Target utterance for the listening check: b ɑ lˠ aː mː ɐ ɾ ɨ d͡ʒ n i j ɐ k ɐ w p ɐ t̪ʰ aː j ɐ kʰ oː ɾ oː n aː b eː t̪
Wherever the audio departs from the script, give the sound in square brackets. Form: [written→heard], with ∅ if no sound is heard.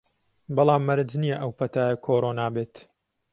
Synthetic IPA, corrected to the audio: b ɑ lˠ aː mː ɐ ɾ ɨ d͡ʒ n i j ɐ [k→ʔ] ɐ w p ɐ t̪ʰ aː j ɐ kʰ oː ɾ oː n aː b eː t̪